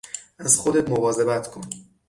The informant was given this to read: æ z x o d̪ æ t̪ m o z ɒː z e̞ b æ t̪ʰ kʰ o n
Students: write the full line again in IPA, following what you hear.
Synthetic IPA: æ z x o d̪ e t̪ m o v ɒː z e̞ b æ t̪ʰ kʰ o n